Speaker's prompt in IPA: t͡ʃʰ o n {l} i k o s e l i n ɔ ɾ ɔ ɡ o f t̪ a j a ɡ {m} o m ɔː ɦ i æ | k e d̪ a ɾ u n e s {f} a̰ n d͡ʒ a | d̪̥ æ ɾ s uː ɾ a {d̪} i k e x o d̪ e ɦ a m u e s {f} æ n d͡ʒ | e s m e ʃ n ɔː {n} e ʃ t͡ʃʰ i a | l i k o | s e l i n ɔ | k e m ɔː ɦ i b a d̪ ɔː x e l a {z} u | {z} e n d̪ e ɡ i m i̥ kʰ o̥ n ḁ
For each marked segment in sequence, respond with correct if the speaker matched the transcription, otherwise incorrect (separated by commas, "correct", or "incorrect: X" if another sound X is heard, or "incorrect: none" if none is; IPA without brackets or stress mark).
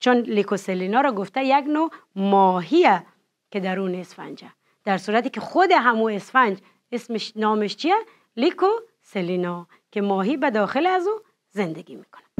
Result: correct, incorrect: n, correct, incorrect: t̪, correct, incorrect: m, correct, correct